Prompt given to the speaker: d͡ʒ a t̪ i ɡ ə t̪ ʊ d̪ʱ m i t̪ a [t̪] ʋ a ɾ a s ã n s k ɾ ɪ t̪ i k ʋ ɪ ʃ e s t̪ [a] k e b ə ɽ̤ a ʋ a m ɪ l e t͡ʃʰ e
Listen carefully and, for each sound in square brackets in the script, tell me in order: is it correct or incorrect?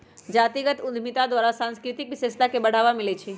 incorrect: d̪, correct

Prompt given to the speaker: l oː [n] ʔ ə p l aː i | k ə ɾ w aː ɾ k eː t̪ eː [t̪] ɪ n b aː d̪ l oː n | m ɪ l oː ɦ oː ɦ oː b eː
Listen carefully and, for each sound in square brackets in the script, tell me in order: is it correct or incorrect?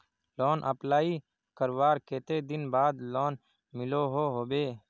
correct, incorrect: d̪

